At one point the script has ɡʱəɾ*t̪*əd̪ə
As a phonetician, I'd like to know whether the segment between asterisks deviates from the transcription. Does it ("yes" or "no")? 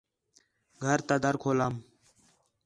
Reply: no